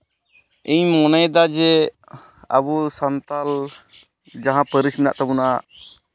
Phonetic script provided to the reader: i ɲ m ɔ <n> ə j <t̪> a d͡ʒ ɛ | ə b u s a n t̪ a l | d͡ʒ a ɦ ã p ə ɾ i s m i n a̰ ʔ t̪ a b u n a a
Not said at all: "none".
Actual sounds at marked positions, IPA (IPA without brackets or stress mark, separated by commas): n, d̪